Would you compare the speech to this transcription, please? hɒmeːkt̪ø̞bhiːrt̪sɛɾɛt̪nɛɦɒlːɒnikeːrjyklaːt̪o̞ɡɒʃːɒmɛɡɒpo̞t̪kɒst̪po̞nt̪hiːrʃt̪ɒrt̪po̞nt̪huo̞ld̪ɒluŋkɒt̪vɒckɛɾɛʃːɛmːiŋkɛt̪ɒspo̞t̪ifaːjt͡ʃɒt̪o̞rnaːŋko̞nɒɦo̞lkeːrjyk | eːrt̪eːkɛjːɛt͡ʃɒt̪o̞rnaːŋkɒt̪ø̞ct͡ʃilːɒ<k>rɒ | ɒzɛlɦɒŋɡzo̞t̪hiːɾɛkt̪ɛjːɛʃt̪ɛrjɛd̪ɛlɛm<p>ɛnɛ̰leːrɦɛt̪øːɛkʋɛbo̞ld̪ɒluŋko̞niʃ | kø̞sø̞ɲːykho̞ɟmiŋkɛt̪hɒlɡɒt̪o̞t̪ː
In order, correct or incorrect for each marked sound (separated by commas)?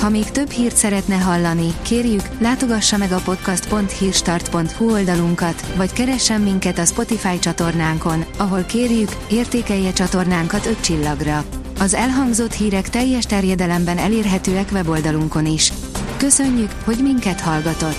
incorrect, incorrect